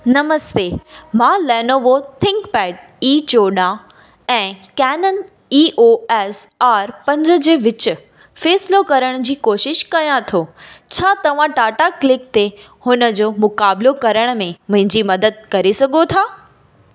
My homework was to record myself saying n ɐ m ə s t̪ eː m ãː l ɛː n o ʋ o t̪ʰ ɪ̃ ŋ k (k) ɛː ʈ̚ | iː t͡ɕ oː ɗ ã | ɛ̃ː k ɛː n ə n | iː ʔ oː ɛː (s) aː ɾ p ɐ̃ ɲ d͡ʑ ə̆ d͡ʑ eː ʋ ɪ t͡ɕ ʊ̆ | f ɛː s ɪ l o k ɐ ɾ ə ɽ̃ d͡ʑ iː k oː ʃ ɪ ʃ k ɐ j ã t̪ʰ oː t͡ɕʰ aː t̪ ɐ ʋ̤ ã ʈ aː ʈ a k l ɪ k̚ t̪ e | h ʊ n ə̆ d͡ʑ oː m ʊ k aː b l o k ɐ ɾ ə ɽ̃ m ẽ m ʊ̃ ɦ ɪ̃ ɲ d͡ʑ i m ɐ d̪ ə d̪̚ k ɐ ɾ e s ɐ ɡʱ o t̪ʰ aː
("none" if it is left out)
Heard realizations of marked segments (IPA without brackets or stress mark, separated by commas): p, s